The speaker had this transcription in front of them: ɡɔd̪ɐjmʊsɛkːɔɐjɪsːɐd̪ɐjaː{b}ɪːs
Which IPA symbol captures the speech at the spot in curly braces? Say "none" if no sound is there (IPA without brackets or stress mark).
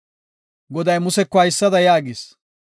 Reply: ɡ